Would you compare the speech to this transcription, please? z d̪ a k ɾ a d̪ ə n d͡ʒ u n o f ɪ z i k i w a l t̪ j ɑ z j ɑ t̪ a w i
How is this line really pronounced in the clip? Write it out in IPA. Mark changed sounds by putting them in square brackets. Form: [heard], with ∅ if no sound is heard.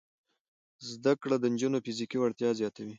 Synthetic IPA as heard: z d̪ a k [ɽ] a d̪ ə n d͡ʒ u n o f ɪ z i k i w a [ɽ] t̪ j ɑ z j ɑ t̪ a w i